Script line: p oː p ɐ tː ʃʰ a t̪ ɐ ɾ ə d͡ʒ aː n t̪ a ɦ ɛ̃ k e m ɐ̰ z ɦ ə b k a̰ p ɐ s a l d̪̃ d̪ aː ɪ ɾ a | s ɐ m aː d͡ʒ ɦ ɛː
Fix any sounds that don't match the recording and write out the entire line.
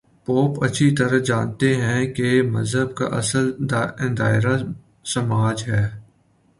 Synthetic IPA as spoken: p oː p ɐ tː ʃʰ i t̪ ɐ ɾ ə d͡ʒ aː n t̪ e ɦ ɛ̃ k e m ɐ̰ z ɦ ə b k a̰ ʔ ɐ s ə l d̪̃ d̪ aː ɪ ɾ a | s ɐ m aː d͡ʒ ɦ ɛː